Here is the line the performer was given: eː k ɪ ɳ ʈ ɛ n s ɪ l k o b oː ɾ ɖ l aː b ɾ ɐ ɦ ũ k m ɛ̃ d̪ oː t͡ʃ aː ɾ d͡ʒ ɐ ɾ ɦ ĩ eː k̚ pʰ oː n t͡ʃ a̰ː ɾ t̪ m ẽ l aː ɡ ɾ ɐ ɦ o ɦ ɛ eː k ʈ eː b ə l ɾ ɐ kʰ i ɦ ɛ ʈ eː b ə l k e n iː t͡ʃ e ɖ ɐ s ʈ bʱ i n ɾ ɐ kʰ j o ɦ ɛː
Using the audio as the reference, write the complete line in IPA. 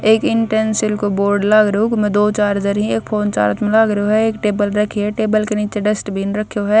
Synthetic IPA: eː k ɪ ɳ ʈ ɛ n s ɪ l k o b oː ɾ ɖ l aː ɡ ɾ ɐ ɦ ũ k m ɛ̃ d̪ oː t͡ʃ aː ɾ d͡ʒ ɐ ɾ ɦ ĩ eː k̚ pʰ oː n t͡ʃ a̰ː ɾ t̪ m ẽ l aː ɡ ɾ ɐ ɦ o ɦ ɛ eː k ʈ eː b ə l ɾ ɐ kʰ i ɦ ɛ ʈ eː b ə l k e n iː t͡ʃ e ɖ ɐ s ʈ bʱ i n ɾ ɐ kʰ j o ɦ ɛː